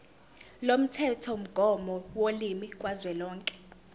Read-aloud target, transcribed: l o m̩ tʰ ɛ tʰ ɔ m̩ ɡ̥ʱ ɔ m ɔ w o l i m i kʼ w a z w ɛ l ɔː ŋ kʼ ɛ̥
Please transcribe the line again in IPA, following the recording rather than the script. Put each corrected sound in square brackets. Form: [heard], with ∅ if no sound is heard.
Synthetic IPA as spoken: l o m̩ tʰ ɛ tʰ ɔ m̩ ɡ̥ʱ ɔ m ɔ w o l i m i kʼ w a z w ɛ l ɔː ŋ kʼ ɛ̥